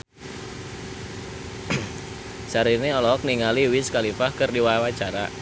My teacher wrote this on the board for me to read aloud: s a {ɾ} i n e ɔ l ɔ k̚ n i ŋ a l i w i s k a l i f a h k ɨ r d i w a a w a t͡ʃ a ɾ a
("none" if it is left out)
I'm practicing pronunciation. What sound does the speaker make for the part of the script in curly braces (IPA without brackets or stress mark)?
ɾ